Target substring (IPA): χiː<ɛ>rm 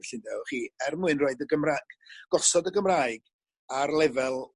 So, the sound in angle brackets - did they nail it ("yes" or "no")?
yes